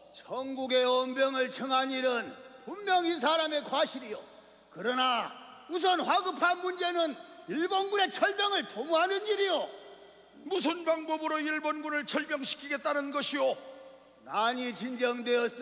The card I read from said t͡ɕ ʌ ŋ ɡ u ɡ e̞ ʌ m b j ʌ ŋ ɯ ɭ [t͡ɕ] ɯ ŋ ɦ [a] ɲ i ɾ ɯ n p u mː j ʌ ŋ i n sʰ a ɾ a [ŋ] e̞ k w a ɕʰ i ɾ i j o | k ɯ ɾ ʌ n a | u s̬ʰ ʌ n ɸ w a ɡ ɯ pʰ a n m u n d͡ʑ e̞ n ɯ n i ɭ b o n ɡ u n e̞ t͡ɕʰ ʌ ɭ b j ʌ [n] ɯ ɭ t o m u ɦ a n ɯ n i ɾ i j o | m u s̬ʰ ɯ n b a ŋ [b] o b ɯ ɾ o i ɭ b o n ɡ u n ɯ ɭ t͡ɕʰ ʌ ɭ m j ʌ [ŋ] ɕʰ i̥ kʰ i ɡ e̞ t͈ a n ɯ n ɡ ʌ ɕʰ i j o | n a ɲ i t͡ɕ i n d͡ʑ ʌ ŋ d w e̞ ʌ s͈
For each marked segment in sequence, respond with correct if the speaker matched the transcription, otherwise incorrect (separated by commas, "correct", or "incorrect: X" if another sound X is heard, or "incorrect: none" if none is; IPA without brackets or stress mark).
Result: incorrect: t͡ɕʰ, correct, incorrect: m, incorrect: ŋ, correct, correct